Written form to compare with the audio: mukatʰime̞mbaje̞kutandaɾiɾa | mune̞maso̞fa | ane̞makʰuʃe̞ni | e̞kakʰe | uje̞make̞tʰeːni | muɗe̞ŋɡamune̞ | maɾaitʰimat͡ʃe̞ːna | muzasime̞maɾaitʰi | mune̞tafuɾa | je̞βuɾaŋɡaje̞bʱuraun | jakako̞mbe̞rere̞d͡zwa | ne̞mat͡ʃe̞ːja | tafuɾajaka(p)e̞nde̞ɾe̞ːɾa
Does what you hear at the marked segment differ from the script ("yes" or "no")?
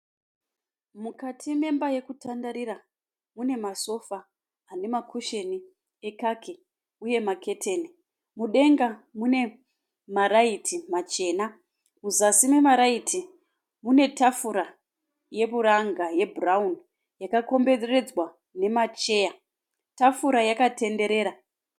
yes